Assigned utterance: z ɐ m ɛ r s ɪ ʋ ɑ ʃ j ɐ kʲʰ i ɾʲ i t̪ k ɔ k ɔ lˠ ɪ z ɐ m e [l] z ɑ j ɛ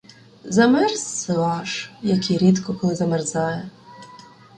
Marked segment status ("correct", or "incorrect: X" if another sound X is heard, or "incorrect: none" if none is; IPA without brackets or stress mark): incorrect: r